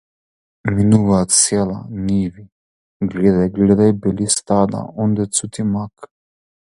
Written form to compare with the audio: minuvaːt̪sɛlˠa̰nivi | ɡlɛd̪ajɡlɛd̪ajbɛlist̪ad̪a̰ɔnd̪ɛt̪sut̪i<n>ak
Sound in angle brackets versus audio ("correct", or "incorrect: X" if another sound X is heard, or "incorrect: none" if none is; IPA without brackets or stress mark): incorrect: m